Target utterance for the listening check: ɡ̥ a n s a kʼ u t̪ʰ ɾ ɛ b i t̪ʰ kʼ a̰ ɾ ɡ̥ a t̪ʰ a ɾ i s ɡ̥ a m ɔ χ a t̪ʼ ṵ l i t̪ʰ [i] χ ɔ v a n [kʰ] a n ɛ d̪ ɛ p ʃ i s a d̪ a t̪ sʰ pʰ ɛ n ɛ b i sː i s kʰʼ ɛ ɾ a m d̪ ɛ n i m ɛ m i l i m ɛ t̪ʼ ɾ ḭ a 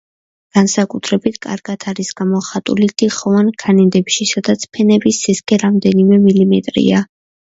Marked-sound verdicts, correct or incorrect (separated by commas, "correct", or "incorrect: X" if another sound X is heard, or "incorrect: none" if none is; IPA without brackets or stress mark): correct, correct